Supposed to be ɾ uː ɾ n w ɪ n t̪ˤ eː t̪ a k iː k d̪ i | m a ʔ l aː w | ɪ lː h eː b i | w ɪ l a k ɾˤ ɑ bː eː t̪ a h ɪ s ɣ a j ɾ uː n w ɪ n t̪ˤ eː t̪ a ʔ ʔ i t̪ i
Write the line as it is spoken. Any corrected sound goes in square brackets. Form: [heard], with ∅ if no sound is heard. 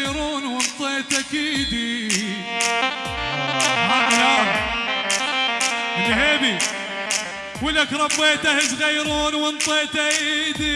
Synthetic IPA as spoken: ɾ uː [∅] n w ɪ n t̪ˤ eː t̪ a k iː [∅] d̪ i | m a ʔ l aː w | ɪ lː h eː b i | w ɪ l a k ɾˤ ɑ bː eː t̪ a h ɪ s ɣ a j ɾ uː n w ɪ n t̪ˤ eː t̪ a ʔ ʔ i [d̪] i

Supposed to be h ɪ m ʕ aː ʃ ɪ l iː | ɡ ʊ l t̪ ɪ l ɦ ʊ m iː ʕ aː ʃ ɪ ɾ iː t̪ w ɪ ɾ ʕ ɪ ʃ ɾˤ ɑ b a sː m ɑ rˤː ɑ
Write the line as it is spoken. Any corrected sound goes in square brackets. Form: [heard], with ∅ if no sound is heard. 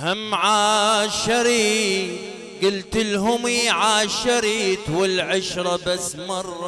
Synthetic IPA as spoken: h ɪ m ʕ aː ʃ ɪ [ɾ] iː | ɡ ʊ l t̪ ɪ l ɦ ʊ m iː ʕ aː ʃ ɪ ɾ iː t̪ w ɪ [l] ʕ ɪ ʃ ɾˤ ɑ b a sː m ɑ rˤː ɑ

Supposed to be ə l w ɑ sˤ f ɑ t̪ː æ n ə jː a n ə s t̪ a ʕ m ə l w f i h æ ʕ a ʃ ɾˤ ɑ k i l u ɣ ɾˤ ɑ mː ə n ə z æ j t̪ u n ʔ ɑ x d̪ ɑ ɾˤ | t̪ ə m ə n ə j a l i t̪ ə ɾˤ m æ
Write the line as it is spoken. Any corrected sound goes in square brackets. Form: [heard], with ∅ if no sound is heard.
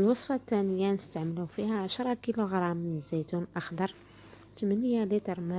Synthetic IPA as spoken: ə l w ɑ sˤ f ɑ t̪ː æ n ə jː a n ə s t̪ a ʕ m ə l [u] f i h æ ʕ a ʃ ɾˤ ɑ k i l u ɣ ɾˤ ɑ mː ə n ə z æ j t̪ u n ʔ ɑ x d̪ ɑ ɾˤ | t̪ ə m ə n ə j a l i t̪ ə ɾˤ m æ

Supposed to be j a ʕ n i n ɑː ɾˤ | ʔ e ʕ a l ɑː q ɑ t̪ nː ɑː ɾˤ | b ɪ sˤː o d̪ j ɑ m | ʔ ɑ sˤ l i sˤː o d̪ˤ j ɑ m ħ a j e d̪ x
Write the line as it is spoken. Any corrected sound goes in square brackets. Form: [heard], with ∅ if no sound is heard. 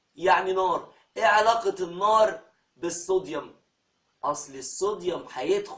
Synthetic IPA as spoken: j a ʕ n i n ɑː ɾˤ | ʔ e ʕ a l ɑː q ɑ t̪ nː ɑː ɾˤ | b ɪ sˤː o d̪ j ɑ m | ʔ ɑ sˤ l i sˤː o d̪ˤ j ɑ m ħ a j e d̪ x

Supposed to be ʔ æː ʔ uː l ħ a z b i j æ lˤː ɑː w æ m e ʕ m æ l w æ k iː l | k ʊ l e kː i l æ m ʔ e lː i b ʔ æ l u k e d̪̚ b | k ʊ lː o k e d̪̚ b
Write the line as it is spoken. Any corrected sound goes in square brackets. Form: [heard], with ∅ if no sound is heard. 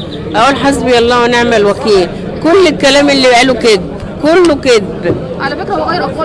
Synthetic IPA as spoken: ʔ [æ] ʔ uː l ħ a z b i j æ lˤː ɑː w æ [n] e ʕ m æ l w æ k iː l | k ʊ [lː] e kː [æ] l [æː] m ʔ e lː i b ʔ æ l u k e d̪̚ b | k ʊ lː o k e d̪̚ b

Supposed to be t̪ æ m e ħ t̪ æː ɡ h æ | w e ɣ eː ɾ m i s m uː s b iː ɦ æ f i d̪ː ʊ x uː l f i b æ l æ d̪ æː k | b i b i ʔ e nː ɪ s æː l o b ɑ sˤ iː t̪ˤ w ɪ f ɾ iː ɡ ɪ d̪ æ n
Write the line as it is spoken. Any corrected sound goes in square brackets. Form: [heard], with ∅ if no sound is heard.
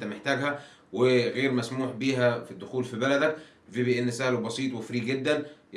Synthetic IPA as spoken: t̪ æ m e ħ t̪ æː ɡ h æ | w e ɣ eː ɾ m [æ] s m uː [ħ] b iː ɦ æ f i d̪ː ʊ x uː l f i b æ l æ d̪ [æ] k | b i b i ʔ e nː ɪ s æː l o b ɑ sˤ iː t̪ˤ w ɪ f ɾ iː ɡ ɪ [d̪ː] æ n

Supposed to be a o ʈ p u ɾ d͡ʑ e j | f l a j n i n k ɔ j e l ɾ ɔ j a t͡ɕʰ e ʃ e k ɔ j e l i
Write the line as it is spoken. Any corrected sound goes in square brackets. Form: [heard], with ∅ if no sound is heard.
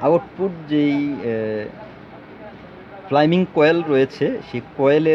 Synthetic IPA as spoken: a o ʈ p u ɾ d͡ʑ e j | f l a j [m] i [ŋ] k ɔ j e l ɾ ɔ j [e] t͡ɕʰ e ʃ e k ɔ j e l [e]

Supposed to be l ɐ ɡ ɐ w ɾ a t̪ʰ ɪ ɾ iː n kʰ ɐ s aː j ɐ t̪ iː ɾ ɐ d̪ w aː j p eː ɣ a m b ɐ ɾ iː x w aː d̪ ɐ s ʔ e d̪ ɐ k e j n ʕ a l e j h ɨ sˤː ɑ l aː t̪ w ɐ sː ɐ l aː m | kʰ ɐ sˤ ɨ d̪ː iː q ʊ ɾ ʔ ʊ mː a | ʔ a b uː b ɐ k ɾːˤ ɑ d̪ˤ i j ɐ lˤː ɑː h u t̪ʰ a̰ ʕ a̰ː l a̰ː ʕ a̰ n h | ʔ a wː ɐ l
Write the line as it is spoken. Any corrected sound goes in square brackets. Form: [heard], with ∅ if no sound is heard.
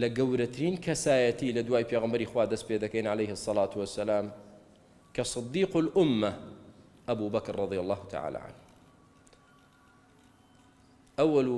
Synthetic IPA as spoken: l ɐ ɡ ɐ w ɾ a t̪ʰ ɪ ɾ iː n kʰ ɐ s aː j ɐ t̪ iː [l] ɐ d̪ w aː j p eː ɣ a m b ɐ ɾ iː x w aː d̪ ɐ s [p] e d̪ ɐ k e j n ʕ a l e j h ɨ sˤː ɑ l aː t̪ w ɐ sː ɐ l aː m | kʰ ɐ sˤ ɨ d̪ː iː q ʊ [l] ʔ ʊ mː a | ʔ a b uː b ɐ k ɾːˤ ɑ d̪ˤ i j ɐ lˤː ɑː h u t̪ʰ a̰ ʕ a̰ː l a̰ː ʕ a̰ n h | ʔ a wː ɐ l

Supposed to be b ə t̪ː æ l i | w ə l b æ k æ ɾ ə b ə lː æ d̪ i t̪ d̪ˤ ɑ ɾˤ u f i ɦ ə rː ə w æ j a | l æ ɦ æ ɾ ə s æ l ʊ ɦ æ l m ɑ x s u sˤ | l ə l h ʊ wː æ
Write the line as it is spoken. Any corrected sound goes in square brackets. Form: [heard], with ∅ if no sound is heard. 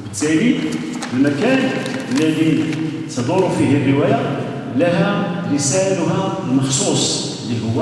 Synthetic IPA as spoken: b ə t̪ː æ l i | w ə l [m] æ k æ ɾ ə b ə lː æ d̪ i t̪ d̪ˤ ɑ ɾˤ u f i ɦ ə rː ə w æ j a | l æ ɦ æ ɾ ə s æ l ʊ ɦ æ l m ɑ x s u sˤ | l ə l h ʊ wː æ

